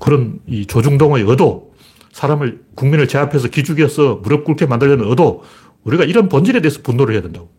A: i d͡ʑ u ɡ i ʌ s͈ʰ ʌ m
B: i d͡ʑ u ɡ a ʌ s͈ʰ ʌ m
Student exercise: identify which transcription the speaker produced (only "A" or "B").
A